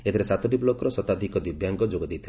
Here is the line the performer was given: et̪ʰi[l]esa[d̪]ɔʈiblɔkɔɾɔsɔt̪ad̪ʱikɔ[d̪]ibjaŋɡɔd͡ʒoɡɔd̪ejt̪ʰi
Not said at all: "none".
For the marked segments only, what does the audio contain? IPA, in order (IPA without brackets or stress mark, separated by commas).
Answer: ɾ, t̪, d̪